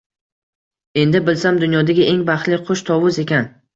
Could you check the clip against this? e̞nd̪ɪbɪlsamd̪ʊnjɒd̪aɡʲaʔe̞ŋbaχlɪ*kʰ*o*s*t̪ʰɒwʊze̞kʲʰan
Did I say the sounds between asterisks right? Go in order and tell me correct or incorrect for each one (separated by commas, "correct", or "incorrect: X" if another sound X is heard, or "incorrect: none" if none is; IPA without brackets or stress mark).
incorrect: qʰ, incorrect: ʃ